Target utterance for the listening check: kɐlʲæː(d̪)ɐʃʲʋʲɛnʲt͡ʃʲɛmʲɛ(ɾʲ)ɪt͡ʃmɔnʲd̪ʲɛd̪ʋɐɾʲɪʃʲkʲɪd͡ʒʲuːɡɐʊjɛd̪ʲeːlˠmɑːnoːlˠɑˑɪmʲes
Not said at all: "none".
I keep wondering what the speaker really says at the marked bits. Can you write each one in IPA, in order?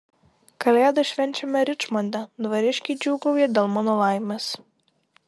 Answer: d̪, ɾʲ

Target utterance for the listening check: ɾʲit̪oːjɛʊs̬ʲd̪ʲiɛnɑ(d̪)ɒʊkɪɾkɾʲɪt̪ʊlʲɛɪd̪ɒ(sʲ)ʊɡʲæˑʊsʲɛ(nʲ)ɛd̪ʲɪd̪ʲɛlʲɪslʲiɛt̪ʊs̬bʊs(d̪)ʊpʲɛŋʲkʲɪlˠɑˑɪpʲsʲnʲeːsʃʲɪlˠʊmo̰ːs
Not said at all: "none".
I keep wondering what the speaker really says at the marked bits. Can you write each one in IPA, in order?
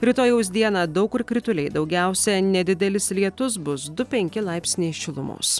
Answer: d̪, none, nʲ, d̪

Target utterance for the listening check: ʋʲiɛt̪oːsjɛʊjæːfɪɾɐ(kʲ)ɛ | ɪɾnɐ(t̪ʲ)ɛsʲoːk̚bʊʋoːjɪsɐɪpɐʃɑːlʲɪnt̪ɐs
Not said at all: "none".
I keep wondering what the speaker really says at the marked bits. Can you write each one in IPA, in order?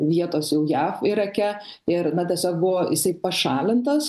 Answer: kʲ, t̪ʲ

